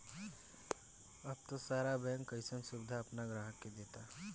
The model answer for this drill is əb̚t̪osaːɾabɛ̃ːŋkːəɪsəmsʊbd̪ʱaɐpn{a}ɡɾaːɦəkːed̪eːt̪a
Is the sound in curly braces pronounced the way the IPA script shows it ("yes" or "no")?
yes